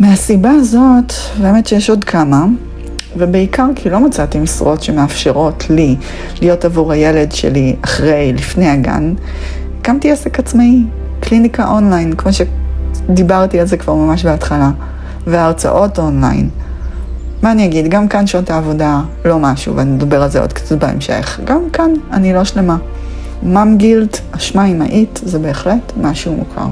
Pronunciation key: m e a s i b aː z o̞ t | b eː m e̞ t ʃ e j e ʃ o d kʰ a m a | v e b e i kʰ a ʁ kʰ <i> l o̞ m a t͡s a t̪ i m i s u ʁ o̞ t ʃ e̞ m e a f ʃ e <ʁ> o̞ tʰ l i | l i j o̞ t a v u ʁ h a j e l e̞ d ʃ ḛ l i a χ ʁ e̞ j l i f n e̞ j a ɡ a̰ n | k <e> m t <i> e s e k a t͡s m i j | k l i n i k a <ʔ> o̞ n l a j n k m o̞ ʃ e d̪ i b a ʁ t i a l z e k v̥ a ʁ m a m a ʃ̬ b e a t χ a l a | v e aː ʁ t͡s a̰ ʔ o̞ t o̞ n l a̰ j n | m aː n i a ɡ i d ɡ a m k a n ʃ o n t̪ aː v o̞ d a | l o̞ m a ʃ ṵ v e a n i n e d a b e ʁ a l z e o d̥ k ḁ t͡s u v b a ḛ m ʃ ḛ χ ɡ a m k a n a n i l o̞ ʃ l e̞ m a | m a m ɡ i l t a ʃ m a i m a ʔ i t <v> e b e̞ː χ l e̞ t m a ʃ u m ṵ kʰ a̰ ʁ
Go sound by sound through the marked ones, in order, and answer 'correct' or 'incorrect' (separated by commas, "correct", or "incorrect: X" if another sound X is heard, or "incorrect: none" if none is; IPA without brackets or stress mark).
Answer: correct, correct, incorrect: a, correct, correct, incorrect: z